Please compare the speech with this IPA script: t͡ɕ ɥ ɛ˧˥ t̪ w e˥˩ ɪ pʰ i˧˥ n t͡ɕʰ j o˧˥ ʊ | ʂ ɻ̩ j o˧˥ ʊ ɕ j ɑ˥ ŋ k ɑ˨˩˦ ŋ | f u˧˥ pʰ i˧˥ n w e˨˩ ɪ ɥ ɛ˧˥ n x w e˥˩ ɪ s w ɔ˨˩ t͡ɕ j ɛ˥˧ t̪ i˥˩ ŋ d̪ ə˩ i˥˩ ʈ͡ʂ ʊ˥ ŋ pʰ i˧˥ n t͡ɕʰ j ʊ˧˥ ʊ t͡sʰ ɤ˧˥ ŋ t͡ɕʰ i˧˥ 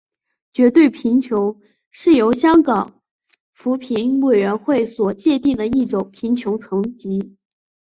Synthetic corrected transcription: t͡ɕ ɥ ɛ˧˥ t̪ w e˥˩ ɪ pʰ i˧˥ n t͡ɕʰ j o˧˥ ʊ | ʂ ɻ̩ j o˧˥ ʊ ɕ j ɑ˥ ŋ k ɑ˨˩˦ ŋ | f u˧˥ pʰ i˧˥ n w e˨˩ ɪ ɥ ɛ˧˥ n x w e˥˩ ɪ s w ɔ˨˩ t͡ɕ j ɛ˥˧ t̪ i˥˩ ŋ d̪ ə˩ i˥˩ ʈ͡ʂ ʊ˨˩ ŋ pʰ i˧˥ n t͡ɕʰ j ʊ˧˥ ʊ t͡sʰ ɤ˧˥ ŋ t͡ɕ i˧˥